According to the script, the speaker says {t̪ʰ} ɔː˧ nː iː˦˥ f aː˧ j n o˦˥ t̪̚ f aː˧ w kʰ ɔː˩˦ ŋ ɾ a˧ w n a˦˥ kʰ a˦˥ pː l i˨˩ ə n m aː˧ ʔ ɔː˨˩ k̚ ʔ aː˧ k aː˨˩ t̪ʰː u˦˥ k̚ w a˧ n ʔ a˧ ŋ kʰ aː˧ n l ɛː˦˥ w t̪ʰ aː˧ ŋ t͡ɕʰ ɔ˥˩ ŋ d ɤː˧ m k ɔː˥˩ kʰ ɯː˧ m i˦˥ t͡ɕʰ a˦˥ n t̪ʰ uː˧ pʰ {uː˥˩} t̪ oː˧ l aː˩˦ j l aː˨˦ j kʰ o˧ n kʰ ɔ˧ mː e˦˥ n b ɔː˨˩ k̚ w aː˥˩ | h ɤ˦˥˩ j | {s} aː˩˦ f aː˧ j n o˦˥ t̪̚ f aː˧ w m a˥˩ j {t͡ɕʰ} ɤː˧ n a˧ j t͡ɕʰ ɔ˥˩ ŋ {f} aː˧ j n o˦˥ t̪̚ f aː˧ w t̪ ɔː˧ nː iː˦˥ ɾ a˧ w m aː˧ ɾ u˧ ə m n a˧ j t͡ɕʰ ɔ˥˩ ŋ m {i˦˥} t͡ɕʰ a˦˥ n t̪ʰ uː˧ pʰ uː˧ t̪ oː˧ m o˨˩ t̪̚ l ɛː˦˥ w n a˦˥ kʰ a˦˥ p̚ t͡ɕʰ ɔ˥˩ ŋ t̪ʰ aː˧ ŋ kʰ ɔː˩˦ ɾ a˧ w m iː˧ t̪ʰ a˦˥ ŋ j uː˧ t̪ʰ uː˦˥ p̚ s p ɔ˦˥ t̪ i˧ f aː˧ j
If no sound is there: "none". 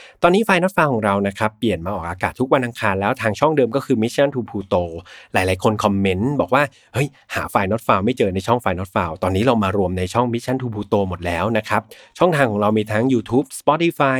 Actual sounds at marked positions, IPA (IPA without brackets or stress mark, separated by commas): t̪, uː˧, h, t͡ɕ, f, i˦˥